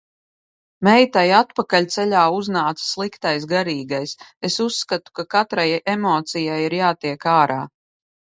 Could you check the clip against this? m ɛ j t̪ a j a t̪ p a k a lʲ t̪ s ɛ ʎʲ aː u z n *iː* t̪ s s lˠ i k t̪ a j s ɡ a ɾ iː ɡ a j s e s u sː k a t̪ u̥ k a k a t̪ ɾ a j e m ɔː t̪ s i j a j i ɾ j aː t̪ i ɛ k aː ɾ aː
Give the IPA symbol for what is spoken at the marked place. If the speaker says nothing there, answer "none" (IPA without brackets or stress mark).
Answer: aː